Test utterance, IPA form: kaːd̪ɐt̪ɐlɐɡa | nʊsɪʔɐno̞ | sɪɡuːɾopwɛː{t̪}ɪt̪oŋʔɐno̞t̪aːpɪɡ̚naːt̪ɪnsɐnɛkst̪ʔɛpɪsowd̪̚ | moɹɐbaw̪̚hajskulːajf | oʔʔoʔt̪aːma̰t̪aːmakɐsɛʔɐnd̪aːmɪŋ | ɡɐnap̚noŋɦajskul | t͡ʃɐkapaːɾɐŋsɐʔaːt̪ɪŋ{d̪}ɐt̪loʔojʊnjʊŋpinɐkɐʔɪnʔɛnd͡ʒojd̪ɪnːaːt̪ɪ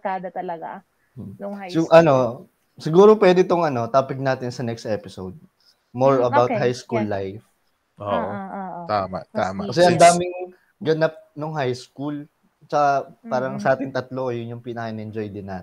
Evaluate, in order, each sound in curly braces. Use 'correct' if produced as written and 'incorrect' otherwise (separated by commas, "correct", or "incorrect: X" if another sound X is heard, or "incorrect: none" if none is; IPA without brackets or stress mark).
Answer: incorrect: d̪, incorrect: t̪